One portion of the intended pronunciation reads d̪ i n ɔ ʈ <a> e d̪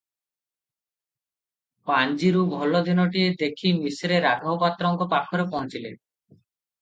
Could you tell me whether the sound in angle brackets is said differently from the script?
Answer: yes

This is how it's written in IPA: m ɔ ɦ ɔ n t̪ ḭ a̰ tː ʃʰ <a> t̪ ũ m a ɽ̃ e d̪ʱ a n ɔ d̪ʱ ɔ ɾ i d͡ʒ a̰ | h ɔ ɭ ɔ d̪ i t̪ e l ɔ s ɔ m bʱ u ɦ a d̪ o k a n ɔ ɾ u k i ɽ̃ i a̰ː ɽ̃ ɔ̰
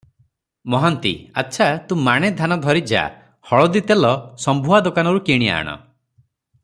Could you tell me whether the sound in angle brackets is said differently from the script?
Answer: no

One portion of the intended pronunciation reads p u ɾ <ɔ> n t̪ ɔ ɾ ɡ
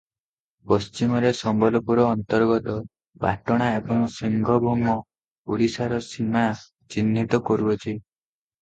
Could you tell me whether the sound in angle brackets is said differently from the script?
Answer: yes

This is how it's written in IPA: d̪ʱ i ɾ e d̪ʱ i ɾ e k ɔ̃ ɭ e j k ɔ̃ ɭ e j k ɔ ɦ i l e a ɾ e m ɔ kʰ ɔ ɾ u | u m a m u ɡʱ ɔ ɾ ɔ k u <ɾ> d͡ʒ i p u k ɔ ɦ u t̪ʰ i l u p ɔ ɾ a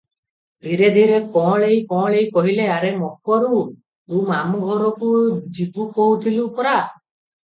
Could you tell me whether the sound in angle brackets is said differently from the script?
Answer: yes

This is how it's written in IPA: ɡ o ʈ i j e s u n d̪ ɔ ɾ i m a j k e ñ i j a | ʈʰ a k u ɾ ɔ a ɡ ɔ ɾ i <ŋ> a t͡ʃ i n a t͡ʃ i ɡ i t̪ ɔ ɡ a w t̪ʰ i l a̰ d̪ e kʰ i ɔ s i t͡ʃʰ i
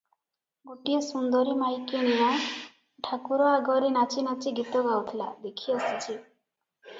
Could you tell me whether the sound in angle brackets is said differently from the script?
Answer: yes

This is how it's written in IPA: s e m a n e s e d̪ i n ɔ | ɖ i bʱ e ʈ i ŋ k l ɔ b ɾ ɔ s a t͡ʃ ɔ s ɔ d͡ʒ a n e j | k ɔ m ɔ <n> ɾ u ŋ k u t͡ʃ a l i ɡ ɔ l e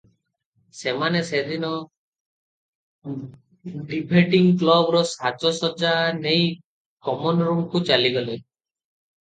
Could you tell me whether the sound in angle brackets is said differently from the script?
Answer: no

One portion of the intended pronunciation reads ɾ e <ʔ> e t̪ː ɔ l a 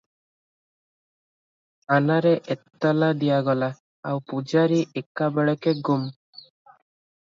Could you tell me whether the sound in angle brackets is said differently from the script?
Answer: no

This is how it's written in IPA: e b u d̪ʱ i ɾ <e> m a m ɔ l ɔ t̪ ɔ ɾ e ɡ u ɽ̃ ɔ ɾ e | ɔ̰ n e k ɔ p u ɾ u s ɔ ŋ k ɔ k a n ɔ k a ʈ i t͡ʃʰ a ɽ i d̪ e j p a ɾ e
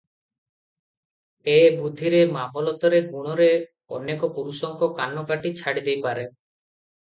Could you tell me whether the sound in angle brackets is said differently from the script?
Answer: no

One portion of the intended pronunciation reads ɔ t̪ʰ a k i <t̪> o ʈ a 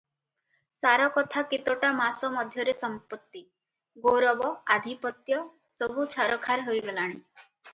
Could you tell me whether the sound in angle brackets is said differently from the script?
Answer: no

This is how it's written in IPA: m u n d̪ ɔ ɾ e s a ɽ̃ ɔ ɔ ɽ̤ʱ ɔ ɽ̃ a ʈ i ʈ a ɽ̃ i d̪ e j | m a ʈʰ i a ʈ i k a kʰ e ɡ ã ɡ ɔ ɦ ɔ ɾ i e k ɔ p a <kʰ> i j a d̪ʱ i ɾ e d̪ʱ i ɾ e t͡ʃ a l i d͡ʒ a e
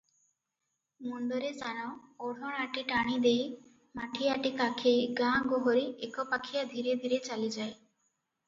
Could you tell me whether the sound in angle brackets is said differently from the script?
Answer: no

